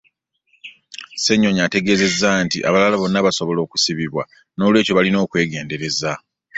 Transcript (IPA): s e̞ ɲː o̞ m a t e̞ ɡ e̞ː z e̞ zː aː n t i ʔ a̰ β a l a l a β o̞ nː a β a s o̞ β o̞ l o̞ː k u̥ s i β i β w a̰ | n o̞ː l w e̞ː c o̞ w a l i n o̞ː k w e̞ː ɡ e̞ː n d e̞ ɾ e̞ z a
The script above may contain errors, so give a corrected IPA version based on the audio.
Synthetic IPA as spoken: s e̞ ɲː o̞ ɲ a t e̞ ɡ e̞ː z e̞ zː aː n t i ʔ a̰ β a l a l a β o̞ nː a β a s o̞ β o̞ l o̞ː k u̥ s i β i β w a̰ | n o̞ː l w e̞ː c o̞ β a l i n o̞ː k w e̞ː ɡ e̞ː n d e̞ ɾ e̞ z a